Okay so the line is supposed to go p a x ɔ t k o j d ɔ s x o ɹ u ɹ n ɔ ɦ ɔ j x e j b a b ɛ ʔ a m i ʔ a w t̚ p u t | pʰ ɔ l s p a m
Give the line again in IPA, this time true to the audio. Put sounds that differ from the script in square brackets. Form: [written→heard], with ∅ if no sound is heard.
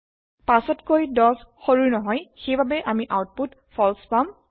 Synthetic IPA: p a [x→s] ɔ t k o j d ɔ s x o ɹ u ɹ n ɔ ɦ ɔ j x e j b a b ɛ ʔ a m i ʔ a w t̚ p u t | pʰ ɔ l s p a m